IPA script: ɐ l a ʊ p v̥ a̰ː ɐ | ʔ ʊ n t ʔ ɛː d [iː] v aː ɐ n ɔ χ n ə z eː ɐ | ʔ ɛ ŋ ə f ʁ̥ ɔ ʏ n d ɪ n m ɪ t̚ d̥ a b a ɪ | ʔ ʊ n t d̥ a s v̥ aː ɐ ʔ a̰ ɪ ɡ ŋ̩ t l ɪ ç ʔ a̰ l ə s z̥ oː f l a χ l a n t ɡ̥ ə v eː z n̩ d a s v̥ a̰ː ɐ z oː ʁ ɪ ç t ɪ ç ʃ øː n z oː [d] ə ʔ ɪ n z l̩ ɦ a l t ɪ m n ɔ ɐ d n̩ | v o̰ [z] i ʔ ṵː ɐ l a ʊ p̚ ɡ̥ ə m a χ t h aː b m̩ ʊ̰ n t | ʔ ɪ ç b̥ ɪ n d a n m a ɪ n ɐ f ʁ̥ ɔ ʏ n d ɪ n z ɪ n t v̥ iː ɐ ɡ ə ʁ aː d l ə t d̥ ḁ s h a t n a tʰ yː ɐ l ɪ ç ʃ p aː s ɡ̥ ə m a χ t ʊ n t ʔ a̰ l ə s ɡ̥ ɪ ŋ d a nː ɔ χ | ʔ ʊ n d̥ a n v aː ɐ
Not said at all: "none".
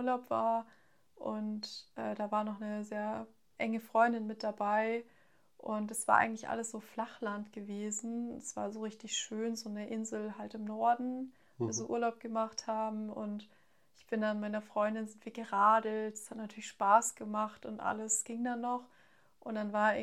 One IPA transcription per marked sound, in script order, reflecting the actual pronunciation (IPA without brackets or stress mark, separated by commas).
aː, n, z